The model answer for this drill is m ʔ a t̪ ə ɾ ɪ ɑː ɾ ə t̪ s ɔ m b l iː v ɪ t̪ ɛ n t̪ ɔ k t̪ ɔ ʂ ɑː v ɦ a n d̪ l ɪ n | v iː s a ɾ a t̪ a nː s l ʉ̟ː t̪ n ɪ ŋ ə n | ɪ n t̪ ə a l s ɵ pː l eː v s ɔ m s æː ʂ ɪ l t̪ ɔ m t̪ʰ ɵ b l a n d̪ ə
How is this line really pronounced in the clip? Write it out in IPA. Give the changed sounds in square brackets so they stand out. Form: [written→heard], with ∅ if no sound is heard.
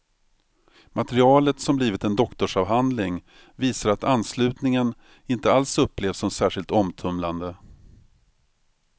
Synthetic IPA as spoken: m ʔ a t̪ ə ɾ ɪ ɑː [ɾ→l] ə t̪ s ɔ m b l iː v ɪ t̪ ɛ n [t̪→d̪] ɔ k t̪ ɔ ʂ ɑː v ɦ a n d̪ l ɪ [n→ŋ] | v iː s a ɾ a t̪ a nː s l ʉ̟ː t̪ n ɪ ŋ ə n | ɪ n t̪ ə a l s ɵ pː l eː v s ɔ m s æː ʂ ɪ l t̪ ɔ m t̪ʰ ɵ [b→m] l a n d̪ ə